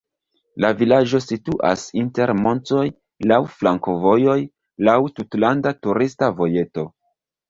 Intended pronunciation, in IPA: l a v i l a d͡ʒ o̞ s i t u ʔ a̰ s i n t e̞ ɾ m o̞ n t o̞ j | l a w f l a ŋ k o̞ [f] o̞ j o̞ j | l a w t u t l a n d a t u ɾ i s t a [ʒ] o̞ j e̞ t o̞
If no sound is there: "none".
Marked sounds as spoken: v, v

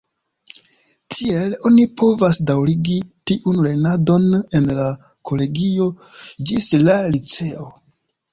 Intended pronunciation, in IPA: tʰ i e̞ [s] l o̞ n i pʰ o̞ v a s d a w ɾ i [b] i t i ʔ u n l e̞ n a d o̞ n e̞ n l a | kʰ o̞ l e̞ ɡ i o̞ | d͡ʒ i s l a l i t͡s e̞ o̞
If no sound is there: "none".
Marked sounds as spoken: none, ɡ

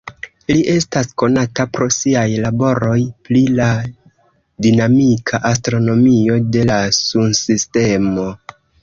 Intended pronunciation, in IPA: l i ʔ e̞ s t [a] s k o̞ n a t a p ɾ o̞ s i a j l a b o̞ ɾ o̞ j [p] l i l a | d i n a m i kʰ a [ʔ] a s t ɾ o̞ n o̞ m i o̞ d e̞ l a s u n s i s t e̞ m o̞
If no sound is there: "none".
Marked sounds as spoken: a, p, ʔ

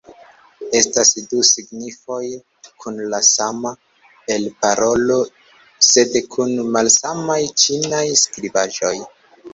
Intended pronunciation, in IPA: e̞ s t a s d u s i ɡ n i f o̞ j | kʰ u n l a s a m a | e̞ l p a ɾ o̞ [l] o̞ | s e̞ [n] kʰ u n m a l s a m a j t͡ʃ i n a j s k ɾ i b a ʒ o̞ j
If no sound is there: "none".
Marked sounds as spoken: l, d

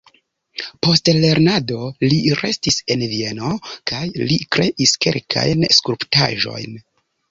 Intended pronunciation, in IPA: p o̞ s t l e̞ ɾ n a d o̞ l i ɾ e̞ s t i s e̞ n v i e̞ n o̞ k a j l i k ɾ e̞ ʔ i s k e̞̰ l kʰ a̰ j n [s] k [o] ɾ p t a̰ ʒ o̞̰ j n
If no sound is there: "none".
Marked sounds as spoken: s, u

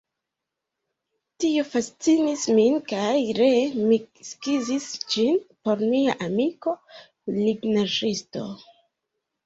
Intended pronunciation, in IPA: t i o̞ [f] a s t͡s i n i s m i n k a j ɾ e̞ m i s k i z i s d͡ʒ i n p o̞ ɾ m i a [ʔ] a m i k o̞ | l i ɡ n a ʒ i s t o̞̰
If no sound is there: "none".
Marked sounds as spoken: f, ʔ

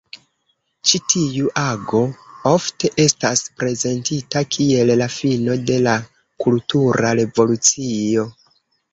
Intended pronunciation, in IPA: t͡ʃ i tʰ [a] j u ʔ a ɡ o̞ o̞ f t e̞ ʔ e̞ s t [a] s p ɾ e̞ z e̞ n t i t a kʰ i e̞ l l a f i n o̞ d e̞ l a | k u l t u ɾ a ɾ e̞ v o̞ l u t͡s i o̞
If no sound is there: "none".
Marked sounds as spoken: i, a

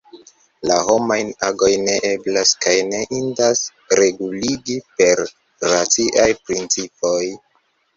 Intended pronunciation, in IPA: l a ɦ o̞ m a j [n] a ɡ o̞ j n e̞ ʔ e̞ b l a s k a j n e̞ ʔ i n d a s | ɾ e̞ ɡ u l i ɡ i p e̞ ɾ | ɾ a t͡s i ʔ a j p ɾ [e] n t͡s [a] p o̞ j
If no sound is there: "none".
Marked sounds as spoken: n, i, i

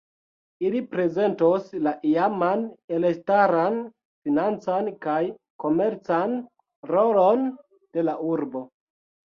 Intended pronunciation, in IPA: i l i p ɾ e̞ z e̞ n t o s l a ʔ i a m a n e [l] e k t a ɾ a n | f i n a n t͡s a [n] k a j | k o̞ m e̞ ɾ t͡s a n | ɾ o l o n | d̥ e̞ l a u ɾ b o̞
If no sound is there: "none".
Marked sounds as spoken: l, n

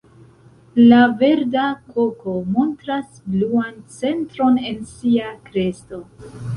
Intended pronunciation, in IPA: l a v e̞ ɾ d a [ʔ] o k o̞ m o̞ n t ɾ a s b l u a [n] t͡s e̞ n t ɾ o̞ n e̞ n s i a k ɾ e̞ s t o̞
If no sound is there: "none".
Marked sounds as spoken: k, n

